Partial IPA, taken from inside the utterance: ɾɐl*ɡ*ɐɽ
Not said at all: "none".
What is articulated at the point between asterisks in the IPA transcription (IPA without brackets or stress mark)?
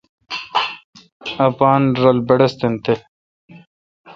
b